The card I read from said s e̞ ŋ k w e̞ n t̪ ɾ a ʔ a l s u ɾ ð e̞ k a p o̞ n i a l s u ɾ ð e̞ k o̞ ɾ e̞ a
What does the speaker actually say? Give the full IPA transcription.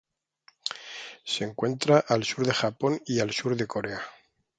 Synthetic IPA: s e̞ ŋ k w e̞ n t̪ ɾ a ʔ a l s u ɾ ð e̞ x a p o̞ n i a l s u ɾ ð e̞ k o̞ ɾ e̞ a